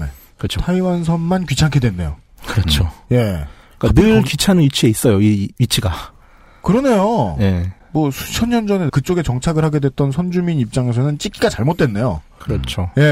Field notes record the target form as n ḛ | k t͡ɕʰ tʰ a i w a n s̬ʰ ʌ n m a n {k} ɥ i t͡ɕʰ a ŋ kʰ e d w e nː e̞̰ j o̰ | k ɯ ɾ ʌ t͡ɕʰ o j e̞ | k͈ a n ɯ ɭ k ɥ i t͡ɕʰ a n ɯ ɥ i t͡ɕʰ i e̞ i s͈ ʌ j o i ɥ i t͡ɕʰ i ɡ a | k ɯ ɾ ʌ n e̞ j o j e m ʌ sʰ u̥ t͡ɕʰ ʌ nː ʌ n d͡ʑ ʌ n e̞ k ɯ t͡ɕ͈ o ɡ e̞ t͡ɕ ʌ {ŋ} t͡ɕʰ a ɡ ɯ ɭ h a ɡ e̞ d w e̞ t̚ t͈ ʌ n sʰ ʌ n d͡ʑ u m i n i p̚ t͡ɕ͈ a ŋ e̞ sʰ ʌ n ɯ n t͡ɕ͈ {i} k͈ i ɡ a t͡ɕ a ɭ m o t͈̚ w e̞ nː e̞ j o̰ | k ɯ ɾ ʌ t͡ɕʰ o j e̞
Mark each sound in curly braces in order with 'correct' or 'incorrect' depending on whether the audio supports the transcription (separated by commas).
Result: correct, correct, correct